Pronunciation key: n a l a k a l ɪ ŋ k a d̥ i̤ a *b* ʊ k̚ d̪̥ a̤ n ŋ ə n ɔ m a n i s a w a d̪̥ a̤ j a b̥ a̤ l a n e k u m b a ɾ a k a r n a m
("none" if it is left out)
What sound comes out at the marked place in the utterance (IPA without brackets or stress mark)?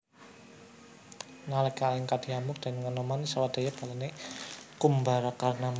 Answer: m